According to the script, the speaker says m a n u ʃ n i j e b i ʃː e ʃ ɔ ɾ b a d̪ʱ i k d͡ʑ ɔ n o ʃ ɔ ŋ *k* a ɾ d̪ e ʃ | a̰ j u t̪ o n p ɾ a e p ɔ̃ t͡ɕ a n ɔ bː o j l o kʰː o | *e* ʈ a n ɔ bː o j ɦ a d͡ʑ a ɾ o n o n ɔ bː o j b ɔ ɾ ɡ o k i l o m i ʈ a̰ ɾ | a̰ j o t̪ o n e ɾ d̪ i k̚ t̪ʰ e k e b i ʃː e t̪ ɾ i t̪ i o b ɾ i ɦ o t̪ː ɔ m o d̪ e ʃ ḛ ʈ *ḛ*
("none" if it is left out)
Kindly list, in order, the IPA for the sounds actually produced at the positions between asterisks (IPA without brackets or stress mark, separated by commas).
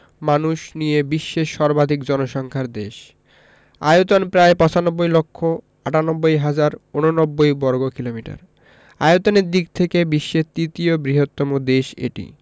kʰ, a, ḭ